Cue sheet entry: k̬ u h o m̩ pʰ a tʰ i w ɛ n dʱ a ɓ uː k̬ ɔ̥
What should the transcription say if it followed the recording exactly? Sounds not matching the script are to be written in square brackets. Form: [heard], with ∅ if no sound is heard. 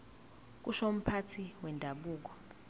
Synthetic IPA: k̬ u [ʃ] o m̩ pʰ a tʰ i w ɛ n dʱ a ɓ uː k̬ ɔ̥

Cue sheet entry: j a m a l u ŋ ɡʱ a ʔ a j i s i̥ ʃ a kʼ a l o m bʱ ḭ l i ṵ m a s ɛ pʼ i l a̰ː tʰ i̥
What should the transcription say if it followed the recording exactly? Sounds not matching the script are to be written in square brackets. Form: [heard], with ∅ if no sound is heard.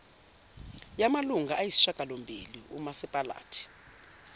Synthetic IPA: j a m a l u ŋ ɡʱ a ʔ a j i s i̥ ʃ a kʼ a l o m bʱ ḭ l i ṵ m a s ɛ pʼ [a] l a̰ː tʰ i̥

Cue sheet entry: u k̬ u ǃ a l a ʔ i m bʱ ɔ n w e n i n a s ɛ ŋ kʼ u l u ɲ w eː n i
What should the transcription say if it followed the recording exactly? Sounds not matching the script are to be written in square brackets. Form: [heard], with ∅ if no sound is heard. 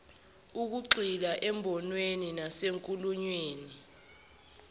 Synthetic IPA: u k̬ u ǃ [i] l a ʔ [ɛ] m bʱ ɔ n w e n i n a s [e] ŋ kʼ u l u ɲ w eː n i

